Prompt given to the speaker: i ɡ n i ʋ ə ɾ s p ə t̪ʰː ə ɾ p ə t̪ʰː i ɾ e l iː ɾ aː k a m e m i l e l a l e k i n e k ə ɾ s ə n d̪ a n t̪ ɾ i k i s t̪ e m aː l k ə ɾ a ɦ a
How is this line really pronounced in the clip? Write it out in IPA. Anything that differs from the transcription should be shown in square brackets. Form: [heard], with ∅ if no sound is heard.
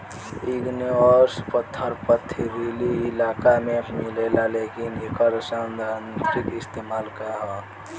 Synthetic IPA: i ɡ n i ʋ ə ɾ s p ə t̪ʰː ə ɾ p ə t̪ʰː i ɾ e l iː [l] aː k a m e m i l e l a l e k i n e k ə ɾ s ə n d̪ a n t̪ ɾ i k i s t̪ e m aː l k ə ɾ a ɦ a